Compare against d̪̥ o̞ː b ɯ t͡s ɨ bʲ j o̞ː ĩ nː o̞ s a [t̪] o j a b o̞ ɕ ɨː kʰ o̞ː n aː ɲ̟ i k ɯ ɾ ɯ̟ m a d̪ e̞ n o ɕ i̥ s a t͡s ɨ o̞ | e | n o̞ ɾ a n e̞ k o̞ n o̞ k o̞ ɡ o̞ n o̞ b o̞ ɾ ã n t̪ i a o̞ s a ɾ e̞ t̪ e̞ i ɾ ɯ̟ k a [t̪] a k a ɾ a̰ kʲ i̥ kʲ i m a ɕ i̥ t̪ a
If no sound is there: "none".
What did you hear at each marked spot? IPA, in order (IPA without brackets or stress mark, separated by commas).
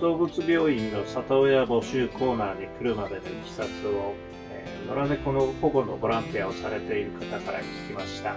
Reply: t̪, t̪